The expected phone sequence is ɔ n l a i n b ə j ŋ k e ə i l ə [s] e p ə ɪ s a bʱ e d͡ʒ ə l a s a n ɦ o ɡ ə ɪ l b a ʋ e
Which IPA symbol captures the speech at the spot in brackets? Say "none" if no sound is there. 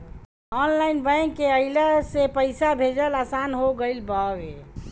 s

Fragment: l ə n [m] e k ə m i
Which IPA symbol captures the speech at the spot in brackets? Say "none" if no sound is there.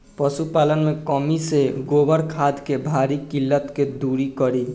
m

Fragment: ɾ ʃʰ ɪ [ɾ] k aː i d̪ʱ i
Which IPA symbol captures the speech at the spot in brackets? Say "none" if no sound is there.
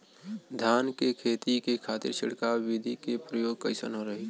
ɽ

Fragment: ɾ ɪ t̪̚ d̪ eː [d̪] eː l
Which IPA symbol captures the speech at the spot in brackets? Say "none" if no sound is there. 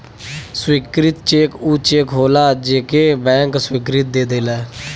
d̪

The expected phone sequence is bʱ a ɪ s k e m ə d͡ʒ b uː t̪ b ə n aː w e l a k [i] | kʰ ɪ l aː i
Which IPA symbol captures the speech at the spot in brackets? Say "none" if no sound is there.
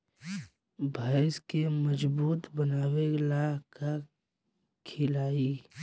a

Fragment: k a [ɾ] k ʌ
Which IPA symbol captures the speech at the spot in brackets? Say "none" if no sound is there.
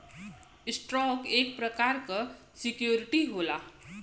ɾ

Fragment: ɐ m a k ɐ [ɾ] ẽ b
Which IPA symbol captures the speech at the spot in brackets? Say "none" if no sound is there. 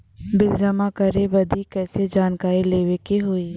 ɾ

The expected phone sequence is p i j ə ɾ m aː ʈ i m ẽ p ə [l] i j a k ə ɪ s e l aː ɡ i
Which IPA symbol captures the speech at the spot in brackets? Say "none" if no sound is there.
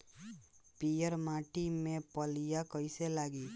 l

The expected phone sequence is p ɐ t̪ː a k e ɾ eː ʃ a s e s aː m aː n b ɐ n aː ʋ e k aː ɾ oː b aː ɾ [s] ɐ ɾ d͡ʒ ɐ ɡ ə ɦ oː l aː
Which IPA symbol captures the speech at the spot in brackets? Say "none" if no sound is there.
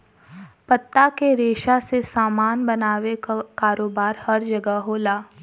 h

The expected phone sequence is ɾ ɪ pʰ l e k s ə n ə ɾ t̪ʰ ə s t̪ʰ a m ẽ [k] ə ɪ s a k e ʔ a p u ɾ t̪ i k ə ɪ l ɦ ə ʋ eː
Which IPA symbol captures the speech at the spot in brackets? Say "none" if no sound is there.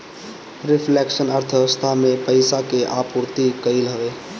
p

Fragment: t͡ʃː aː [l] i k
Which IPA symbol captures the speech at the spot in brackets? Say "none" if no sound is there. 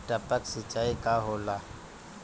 none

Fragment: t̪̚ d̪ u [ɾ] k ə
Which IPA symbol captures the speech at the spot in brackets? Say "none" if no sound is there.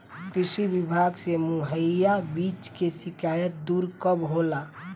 ɾ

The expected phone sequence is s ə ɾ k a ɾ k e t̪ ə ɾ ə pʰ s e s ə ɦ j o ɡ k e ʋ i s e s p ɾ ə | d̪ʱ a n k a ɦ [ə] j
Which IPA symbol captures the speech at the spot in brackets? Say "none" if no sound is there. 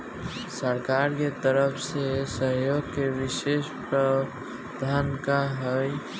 ə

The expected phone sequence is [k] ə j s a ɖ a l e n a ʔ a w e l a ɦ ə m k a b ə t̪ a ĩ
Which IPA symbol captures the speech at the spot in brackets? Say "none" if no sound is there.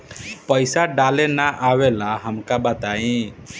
p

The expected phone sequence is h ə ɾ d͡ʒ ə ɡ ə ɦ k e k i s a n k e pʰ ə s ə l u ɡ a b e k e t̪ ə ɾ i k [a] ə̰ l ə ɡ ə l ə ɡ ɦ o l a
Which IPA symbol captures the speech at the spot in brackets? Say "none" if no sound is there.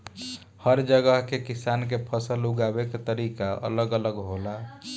a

